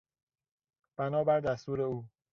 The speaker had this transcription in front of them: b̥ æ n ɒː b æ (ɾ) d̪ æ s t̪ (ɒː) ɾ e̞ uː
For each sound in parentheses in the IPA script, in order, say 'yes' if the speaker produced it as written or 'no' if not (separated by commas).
yes, no